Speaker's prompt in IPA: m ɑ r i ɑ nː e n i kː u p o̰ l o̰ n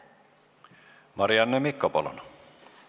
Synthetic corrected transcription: m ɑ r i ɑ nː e m i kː o p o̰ l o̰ n

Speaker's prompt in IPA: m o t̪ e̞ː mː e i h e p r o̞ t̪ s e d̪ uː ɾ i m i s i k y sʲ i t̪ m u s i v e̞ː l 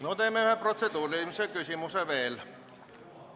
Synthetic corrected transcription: n o t̪ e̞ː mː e y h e p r o̞ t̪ s e d̪ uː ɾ i m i s e k y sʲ i m u s e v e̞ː l

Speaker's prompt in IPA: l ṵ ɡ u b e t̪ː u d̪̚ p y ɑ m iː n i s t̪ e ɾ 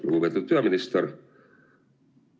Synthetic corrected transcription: l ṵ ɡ u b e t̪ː u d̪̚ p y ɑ m i n i s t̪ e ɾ

